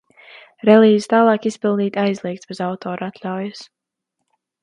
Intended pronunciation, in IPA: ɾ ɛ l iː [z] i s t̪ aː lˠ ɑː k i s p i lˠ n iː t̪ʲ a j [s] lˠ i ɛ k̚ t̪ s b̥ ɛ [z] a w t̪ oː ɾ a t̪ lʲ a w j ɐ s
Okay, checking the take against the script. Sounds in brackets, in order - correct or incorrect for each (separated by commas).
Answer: correct, incorrect, correct